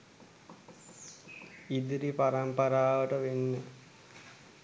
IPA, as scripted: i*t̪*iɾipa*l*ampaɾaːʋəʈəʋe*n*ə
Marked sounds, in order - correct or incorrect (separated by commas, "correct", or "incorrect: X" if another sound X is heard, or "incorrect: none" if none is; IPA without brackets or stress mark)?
incorrect: d̪, incorrect: ɾ, incorrect: nː